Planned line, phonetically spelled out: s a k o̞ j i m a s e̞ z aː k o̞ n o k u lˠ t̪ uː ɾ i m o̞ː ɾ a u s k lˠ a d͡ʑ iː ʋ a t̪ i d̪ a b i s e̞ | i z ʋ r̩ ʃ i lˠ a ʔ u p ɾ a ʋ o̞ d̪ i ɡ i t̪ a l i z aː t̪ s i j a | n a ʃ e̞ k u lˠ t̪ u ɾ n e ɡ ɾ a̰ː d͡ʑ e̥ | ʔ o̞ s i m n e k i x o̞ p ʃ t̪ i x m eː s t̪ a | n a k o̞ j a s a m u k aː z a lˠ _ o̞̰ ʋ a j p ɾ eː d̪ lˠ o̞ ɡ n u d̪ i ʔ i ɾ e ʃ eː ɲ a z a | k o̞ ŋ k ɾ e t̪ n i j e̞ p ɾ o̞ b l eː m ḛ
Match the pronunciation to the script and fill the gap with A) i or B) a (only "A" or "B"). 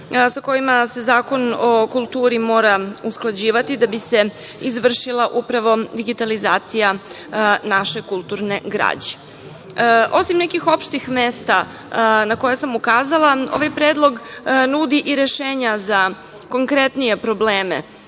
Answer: B